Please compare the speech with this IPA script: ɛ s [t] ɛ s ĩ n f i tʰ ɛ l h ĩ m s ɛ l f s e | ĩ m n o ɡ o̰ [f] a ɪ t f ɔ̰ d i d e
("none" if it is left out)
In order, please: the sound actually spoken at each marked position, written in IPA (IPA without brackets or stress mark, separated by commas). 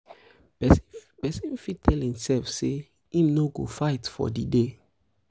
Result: p, f